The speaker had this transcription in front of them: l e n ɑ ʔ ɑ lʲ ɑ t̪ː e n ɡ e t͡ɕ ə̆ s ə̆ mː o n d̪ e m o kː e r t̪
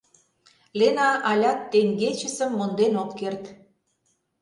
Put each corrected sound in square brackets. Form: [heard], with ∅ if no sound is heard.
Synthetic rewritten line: l e n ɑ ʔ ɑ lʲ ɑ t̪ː e [ŋ] ɡ e t͡ɕ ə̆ s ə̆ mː o n d̪ e [n] o kː e r t̪